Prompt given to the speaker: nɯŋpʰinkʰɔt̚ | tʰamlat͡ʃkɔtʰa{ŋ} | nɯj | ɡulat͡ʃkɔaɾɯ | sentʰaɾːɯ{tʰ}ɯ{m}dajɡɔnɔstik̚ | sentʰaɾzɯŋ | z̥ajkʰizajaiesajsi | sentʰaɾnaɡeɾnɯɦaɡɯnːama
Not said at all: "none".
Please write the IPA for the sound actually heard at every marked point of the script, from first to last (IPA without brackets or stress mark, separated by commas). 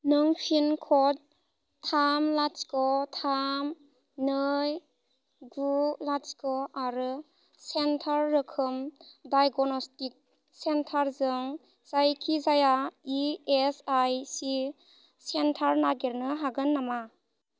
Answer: m, kʰ, m